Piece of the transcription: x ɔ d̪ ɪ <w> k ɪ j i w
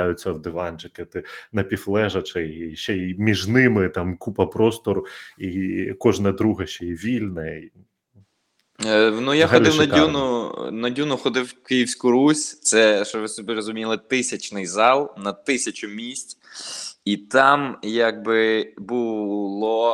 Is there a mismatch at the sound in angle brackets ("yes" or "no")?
no